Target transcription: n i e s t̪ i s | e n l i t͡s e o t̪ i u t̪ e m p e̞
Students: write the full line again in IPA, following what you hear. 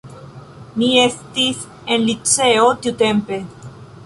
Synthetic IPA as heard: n i e s t̪ i s | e n l i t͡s e o t̪ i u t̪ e m p e̞

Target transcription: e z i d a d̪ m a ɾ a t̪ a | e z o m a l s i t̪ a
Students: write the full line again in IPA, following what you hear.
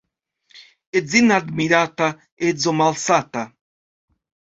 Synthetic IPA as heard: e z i n a d̪ m i ɾ a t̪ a | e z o m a l s a t̪ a

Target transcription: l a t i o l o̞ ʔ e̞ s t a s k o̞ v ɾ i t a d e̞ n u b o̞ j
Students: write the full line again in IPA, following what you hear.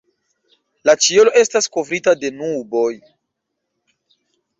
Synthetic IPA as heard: l a t͡ʃ i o l o̞ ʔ e̞ s t a s k o̞ v ɾ i t a d e̞ n u b o̞ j

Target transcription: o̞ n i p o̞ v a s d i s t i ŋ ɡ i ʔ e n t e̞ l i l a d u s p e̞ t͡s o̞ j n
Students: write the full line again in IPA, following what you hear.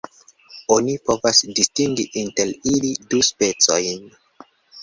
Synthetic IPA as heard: o̞ n i p o̞ v a s d i s t i ŋ ɡ i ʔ i n t e̞ l i l i d u s p e̞ t͡s o̞ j n

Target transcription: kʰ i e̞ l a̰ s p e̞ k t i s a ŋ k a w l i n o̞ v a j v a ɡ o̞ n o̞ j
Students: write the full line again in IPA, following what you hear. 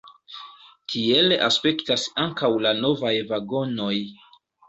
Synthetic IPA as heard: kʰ i e̞ l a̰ s p e̞ k t a s a ŋ k a w l a n o̞ v a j v a ɡ o̞ n o̞ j

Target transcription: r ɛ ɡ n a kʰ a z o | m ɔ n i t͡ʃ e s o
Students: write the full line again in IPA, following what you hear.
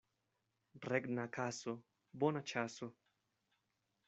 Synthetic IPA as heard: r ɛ ɡ n a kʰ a s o | b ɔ n a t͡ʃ a s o

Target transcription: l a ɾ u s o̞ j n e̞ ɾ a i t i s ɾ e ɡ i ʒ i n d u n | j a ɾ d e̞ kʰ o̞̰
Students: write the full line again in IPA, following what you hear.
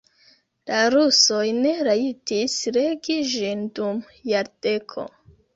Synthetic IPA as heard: l a ɾ u s o̞ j n e̞ ɾ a i t i s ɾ e ɡ i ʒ i n d u m | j a ɾ d e̞ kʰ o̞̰

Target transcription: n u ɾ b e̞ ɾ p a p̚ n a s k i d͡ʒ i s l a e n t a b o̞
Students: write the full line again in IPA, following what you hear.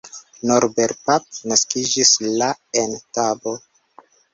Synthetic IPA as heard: n o ɾ b e̞ ɾ p a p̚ n a s k i d͡ʒ i s l a e n t a b o̞

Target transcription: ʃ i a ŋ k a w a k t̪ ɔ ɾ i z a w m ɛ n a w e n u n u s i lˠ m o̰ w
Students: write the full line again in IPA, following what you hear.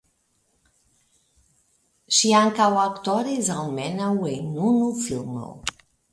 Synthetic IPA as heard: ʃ i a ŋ k a w a k t̪ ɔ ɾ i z a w m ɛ n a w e n u n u f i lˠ m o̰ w

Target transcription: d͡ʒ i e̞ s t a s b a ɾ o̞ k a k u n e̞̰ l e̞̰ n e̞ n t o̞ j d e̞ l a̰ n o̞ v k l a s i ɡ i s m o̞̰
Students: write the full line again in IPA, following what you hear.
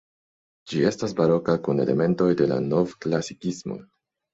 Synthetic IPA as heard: d͡ʒ i e̞ s t a s b a ɾ o̞ k a k u n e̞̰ l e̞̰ m e̞ n t o̞ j d e̞ l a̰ n o̞ v k l a s i k i s m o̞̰

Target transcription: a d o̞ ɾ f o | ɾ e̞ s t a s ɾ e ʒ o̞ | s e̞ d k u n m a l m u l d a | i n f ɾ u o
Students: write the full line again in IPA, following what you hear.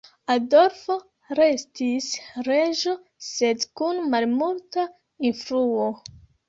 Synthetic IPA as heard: a d o̞ ɾ f o | ɾ e̞ s t i s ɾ e ʒ o̞ | s e̞ d k u n m a l m u l t a | i n f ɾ u o

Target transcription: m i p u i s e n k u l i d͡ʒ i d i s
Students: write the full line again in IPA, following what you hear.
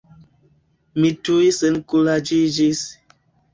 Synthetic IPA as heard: m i t u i s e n k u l a d͡ʒ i d͡ʒ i s

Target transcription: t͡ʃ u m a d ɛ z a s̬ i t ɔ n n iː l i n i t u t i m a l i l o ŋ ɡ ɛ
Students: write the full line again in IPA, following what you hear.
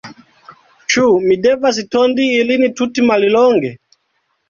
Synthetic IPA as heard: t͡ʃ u m i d ɛ v a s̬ i t ɔ n d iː l i n i t u t i m a l i l ɔ ŋ ɡ ɛ

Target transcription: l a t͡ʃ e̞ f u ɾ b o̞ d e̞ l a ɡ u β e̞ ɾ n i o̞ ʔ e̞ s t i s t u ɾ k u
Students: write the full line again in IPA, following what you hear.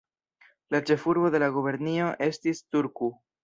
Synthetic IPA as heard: l a t͡ʃ e̞ f u ɾ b o̞ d e̞ l a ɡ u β e̞ ɾ n i o̞ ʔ e̞ s t i s t u ɾ k u

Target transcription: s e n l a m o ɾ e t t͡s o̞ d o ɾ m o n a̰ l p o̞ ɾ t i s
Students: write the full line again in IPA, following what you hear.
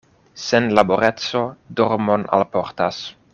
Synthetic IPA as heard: s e n l a b o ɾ e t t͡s o̞ d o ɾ m o n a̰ l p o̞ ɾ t a s

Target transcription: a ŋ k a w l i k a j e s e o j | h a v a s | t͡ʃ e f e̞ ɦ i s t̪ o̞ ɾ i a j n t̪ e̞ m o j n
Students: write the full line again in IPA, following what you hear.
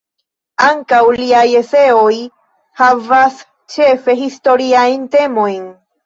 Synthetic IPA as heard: a ŋ k a w l i a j e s e o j | h a v a s | t͡ʃ e f e̞ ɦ i s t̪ o̞ ɾ i a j n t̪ e̞ m o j n

